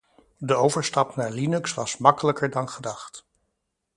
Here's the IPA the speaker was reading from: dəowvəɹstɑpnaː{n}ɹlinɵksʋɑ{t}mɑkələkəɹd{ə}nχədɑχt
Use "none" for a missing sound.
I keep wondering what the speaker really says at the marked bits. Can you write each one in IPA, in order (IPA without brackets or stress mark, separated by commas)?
none, s, ɑ